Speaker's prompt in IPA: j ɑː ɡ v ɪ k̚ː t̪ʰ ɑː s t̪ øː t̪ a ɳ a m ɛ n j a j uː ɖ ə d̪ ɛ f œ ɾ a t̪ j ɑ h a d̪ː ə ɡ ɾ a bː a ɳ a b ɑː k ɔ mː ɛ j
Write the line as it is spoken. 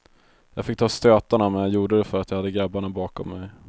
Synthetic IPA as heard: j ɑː ɡ f ɪ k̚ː t̪ʰ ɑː s t̪ øː t̪ a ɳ a m ɛ n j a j uː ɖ ə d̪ ɛ f œ ɾ a t̪ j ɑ h a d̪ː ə ɡ ɾ a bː a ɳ a b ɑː k ɔ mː ɛ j

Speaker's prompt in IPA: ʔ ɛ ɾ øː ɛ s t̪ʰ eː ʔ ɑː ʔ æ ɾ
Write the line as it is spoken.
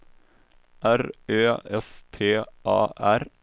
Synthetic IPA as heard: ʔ æ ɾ øː ɛ s t̪ʰ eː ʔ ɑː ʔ æ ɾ

